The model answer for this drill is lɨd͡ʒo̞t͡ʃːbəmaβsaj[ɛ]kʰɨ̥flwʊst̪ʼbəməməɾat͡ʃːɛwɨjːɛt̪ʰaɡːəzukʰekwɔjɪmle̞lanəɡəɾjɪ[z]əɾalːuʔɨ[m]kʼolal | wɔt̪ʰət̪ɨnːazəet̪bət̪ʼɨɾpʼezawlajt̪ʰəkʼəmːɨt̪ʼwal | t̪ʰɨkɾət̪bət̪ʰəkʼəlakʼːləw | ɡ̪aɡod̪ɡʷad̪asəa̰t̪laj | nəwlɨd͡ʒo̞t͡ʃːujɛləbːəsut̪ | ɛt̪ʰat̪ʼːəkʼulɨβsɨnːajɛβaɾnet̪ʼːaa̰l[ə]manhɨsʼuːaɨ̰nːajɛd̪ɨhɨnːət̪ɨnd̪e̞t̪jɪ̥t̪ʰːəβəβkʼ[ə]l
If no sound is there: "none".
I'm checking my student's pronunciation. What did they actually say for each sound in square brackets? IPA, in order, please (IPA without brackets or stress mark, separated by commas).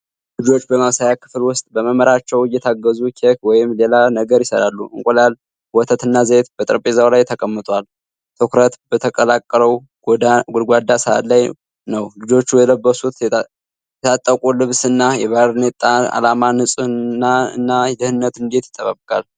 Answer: a, s, ŋ, a, a